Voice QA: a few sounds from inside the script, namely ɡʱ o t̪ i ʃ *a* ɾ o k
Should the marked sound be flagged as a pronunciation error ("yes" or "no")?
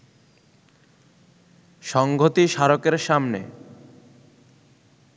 no